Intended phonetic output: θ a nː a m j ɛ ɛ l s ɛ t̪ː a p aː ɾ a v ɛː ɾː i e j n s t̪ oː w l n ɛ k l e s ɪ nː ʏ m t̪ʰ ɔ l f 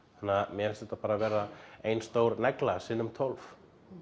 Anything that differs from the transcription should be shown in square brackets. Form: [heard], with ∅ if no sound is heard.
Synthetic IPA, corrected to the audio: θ a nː a m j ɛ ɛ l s ɛ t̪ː a p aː ɾ a v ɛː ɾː [a] e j n s t̪ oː w [ɾ] n ɛ k l [a] s ɪ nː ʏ m t̪ʰ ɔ l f